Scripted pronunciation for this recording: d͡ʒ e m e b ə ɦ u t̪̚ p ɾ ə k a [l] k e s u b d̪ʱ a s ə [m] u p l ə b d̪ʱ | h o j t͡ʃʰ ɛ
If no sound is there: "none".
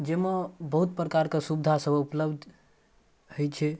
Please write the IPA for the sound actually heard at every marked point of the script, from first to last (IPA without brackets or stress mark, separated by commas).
ɾ, b